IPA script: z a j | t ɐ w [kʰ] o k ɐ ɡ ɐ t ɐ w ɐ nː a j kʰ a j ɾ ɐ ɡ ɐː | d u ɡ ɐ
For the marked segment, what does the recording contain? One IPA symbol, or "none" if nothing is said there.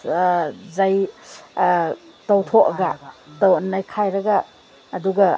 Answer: tʰ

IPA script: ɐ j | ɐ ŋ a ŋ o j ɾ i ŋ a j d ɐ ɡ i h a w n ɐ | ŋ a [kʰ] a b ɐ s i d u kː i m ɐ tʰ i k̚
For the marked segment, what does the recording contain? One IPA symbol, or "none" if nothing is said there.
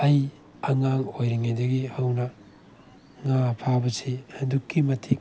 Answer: pʰ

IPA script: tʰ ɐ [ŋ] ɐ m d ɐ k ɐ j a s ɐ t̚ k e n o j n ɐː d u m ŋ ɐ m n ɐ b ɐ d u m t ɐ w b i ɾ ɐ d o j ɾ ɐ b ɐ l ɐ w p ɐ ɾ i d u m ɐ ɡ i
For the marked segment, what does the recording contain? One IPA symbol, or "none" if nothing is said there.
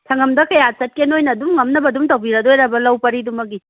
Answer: ŋ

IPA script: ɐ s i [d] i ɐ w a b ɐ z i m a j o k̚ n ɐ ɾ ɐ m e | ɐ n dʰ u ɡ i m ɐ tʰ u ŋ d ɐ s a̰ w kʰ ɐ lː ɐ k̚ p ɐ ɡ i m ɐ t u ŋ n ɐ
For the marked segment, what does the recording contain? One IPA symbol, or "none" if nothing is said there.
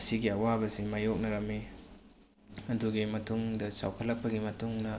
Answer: ɡ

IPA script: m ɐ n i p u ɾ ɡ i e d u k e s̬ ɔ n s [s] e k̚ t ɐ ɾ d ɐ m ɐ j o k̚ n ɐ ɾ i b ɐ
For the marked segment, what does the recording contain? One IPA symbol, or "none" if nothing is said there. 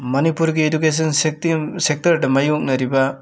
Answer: s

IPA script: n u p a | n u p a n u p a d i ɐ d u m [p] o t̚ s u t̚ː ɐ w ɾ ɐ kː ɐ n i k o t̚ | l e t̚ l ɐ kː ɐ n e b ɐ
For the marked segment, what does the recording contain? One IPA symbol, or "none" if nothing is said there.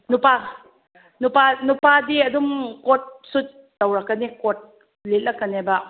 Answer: k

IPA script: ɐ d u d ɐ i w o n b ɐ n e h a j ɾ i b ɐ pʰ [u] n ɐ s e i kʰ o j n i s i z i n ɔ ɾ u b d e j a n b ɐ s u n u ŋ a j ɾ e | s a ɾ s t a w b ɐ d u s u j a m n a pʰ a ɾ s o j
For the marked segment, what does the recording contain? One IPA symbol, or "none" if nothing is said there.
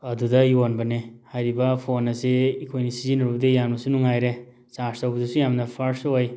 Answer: o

